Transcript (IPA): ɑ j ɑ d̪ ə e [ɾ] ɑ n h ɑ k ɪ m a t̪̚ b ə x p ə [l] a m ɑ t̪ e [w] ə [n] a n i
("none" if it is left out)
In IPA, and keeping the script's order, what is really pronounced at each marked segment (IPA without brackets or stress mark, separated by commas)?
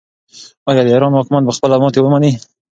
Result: ɾ, l, w, m